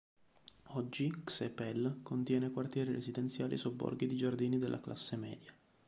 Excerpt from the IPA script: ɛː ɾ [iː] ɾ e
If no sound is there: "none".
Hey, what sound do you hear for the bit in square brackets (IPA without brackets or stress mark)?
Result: i